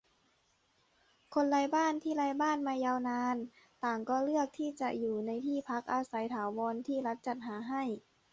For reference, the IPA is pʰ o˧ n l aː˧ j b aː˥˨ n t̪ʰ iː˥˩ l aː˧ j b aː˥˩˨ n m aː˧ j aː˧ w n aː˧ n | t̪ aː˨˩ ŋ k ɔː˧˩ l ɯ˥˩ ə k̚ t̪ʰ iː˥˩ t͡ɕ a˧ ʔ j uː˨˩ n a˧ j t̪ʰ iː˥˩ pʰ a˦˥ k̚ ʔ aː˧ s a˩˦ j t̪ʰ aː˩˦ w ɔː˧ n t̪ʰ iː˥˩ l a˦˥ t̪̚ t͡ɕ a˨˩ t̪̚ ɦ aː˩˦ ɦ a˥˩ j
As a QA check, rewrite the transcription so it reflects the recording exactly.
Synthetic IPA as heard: kʰ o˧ n l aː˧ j b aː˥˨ n t̪ʰ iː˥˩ l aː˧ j b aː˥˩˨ n m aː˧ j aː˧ w n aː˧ n | t̪ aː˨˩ ŋ k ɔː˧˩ l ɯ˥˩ ə k̚ t̪ʰ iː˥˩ t͡ɕ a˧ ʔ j uː˨˩ n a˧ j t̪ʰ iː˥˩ pʰ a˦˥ k̚ ʔ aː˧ s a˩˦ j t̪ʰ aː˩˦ w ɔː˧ n t̪ʰ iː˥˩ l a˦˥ t̪̚ t͡ɕ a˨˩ t̪̚ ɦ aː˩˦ ɦ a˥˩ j

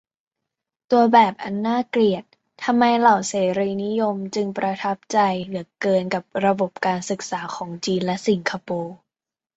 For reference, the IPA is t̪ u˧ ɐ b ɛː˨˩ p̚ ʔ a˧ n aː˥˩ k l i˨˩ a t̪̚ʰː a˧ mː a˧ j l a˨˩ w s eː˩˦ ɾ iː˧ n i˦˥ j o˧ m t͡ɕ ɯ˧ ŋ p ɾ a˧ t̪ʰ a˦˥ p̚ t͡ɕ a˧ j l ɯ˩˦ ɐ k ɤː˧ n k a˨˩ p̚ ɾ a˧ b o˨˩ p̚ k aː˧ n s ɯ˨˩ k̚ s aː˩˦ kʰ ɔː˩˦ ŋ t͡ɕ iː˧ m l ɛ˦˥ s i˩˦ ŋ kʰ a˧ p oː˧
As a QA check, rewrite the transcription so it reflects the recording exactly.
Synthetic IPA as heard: t̪ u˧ ɐ b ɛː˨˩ p̚ ʔ a˧ nː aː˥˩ k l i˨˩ ə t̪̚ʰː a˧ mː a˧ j l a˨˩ w s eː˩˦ ɾ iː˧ n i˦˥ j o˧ m t͡ɕ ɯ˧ ŋ p ɾ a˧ t̪ʰ a˦˥ p̚ t͡ɕ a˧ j l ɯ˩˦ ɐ k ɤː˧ n k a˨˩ p̚ ɾ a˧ b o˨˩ p̚ k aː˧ n s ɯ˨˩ k̚ s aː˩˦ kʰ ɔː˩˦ ŋ t͡ɕ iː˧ n l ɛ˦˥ s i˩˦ ŋ kʰ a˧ p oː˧

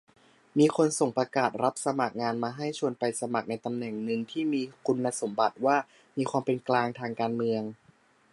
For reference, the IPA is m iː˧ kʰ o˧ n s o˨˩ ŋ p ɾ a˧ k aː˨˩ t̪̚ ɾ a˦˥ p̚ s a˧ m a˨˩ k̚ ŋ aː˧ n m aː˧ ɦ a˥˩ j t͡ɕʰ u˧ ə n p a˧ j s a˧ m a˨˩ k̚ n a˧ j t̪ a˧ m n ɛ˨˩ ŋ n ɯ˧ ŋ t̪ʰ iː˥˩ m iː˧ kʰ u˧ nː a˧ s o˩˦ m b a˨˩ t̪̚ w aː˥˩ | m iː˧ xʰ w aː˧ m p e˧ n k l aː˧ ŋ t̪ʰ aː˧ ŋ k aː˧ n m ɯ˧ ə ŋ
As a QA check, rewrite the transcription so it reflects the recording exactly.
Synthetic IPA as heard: m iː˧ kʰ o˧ n s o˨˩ ŋ p ɾ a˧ k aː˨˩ t̪̚ ɾ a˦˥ p̚ s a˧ m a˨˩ k̚ ŋ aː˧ n m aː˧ ɦ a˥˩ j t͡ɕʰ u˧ ə n p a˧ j s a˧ m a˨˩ k̚ n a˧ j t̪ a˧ m n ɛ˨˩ ŋ n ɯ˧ ŋ t̪ʰ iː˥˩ m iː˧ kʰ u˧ nː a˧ s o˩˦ m b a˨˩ t̪̚ w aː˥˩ | m iː˧ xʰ w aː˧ m p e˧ n k l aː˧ ŋ t̪ʰ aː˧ ŋ k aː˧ n m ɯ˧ ə ŋ

